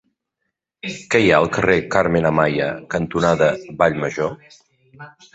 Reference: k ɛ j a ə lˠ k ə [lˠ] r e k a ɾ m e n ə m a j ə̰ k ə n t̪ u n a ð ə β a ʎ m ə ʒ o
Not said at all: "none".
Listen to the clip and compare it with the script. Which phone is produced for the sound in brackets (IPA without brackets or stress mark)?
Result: none